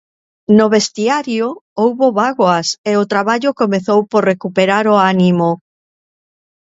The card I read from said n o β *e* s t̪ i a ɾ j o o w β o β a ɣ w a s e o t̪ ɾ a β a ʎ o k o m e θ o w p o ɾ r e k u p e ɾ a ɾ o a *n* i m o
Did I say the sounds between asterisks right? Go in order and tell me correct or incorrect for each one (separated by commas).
correct, correct